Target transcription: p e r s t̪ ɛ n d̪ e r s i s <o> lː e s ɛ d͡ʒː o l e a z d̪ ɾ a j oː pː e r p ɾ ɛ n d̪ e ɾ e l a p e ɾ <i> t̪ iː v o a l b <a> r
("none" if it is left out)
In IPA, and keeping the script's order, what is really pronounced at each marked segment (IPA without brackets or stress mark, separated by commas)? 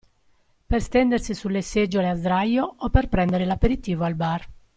u, i, a